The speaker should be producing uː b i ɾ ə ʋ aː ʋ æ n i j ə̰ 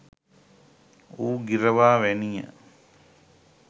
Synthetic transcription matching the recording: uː ɡ i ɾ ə ʋ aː ʋ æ n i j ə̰